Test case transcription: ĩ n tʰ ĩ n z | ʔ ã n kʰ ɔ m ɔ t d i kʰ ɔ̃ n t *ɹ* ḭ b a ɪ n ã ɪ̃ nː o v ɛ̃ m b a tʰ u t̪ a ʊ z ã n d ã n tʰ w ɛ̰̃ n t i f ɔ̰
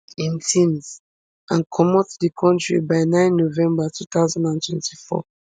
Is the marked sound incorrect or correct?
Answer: correct